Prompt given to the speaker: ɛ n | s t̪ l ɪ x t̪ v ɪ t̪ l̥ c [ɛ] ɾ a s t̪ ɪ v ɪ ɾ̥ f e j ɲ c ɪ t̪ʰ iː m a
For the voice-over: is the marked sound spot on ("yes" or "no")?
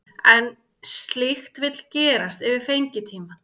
no